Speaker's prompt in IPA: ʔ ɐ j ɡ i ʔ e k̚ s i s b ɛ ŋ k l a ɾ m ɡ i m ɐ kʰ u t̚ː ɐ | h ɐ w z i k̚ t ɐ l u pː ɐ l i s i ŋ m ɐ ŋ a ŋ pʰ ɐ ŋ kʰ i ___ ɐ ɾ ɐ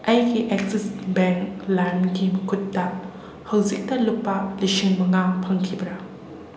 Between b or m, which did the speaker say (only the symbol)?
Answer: b